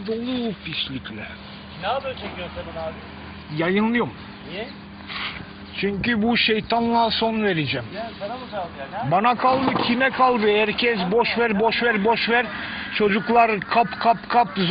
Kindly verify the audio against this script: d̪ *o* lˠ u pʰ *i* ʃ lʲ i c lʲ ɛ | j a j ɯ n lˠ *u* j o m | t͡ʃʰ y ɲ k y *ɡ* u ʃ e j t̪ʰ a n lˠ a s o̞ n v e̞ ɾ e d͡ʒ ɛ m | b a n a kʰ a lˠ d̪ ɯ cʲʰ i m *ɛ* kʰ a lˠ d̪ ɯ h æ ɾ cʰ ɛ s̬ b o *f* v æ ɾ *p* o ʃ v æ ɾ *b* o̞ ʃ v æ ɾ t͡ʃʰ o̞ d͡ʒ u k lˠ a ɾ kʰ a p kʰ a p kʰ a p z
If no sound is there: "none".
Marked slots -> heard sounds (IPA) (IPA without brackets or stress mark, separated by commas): o, i, ɯ, b, ɛ, ʃ, b, b